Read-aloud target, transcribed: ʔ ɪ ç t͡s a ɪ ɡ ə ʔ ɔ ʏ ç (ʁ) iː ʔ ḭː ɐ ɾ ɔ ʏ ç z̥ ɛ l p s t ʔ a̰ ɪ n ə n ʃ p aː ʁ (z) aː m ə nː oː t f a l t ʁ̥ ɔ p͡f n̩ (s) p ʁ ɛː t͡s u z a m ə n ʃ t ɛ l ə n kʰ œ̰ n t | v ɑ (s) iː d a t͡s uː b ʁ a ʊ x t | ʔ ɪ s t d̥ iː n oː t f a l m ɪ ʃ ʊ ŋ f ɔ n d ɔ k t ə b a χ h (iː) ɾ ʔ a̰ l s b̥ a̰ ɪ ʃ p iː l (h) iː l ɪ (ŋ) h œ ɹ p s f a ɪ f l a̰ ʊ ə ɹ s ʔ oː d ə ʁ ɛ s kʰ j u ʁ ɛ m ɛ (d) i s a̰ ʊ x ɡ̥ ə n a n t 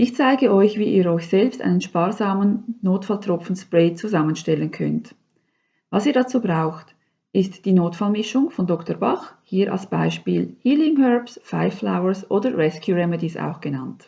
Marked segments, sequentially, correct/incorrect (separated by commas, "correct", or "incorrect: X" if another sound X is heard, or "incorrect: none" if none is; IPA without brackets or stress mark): incorrect: v, correct, correct, correct, correct, correct, correct, correct